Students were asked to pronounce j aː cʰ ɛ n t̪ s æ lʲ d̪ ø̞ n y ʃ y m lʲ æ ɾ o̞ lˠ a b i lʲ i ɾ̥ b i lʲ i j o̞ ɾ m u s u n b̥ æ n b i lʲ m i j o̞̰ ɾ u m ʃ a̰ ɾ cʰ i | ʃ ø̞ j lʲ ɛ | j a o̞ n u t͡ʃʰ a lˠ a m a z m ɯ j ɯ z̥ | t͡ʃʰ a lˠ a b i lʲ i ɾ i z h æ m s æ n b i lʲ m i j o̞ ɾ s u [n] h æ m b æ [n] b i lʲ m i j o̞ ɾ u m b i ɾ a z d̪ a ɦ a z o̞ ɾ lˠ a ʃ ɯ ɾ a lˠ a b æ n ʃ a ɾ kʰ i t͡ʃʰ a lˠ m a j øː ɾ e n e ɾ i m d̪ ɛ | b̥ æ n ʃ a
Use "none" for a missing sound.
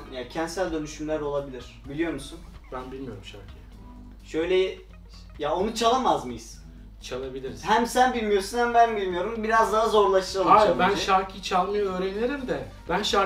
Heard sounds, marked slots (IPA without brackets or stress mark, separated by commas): n, n